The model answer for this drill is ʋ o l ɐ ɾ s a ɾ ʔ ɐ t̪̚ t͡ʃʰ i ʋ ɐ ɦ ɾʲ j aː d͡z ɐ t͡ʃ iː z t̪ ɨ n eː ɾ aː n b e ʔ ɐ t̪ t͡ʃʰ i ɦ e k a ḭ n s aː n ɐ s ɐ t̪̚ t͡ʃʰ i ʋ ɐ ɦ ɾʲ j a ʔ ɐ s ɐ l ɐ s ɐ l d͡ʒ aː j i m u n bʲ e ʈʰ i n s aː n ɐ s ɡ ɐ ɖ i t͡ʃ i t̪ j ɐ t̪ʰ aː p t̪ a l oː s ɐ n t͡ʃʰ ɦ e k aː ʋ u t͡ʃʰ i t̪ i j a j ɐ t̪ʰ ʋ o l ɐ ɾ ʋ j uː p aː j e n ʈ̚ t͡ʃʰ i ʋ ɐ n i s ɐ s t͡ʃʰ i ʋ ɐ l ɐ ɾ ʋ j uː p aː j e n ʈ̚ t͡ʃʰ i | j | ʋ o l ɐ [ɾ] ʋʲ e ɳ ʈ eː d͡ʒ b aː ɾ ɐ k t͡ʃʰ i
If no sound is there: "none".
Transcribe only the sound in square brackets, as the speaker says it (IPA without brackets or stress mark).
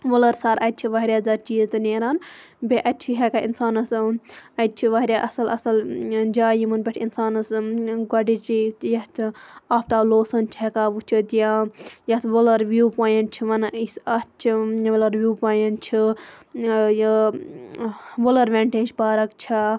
ɾ